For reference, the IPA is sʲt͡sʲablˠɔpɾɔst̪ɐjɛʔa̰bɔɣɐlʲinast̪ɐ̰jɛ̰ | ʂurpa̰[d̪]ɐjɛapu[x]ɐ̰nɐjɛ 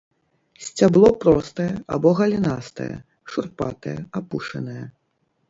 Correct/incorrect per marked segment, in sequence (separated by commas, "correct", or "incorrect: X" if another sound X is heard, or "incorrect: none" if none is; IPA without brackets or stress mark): incorrect: t̪, incorrect: ʂ